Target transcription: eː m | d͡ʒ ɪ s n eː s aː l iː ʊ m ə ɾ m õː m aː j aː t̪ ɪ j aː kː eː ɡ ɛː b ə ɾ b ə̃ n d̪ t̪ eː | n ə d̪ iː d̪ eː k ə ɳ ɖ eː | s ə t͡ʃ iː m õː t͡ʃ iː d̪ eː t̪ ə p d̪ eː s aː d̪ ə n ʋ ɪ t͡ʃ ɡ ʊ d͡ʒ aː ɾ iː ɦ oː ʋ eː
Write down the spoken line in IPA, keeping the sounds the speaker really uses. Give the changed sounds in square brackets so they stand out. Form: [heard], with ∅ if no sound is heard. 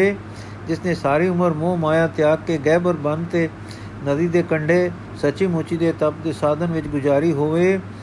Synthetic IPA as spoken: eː [∅] | d͡ʒ ɪ s n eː s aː [ɾ] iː ʊ m ə ɾ m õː m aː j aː t̪ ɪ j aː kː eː ɡ ɛː b ə ɾ b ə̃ n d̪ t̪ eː | n ə d̪ iː d̪ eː k ə ɳ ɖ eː | s ə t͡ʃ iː m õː t͡ʃ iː d̪ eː t̪ ə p d̪ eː s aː d̪ ə n ʋ ɪ t͡ʃ ɡ ʊ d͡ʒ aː ɾ iː ɦ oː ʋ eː